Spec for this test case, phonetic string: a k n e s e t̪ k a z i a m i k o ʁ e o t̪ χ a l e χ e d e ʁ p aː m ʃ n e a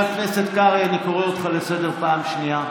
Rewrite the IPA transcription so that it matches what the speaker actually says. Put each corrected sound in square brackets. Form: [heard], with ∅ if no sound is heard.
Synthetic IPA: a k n e s e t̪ k a [ʁ] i a [n] i k o ʁ e o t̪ χ a l e [s] e d e ʁ p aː m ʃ n [i] a